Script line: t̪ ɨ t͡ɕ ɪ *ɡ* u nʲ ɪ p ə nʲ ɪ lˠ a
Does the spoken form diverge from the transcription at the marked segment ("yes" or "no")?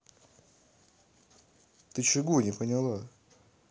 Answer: no